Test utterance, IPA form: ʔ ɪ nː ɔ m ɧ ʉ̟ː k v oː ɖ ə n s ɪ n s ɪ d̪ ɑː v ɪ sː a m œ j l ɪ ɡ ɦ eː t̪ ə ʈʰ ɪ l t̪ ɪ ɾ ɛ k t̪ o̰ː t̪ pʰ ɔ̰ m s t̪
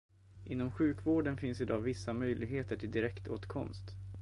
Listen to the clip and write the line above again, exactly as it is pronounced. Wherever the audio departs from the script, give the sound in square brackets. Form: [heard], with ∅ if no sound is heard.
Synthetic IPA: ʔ ɪ nː ɔ m ɧ ʉ̟ː k v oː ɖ ə n [f] ɪ n s ɪ d̪ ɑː v ɪ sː a m œ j l ɪ ɡ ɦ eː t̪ ə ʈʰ ɪ l [d̪] ɪ ɾ ɛ k t̪ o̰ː t̪ [kʰ] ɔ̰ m s t̪